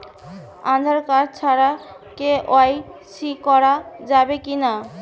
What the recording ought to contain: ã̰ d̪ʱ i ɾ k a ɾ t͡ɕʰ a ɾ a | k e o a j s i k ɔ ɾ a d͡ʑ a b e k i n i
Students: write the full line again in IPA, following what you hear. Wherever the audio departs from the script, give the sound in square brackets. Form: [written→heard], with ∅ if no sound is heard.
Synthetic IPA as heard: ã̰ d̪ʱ [i→a] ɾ k a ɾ t͡ɕʰ a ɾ a | k e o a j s i k ɔ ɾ a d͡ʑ a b e k i n [i→a]